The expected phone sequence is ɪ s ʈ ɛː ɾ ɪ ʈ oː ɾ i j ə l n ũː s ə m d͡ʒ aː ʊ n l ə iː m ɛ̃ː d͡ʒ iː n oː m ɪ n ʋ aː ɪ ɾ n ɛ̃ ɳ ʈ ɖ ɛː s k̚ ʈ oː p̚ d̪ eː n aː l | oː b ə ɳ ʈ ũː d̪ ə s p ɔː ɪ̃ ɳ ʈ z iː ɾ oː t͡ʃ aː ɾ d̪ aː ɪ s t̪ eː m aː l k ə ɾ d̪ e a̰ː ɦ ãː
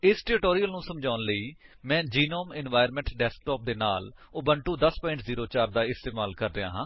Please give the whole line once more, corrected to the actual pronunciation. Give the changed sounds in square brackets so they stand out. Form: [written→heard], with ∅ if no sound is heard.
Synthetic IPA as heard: ɪ s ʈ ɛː ɾ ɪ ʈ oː ɾ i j ə l n ũː s ə m d͡ʒ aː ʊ n l ə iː m ɛ̃ː d͡ʒ iː n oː m ɪ n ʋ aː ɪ ɾ [n→m] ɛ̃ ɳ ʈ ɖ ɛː s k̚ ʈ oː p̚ d̪ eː n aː l | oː b ə ɳ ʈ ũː d̪ ə s p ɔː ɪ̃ ɳ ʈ z iː ɾ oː t͡ʃ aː ɾ d̪ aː ɪ s t̪ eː m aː l k ə ɾ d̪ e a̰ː ɦ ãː